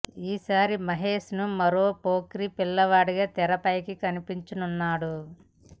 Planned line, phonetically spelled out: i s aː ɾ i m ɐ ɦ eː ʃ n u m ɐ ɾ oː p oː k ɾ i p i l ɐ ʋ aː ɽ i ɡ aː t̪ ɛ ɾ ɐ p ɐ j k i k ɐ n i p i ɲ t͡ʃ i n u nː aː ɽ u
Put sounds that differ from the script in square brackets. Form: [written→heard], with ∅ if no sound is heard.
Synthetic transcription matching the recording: [i→iː] s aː ɾ i m ɐ ɦ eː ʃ n u m ɐ ɾ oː p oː k ɾ i p i [l→lː] ɐ ʋ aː ɽ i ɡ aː t̪ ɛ ɾ ɐ p ɐ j k i k ɐ n i p i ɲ t͡ʃ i n u nː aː ɽ u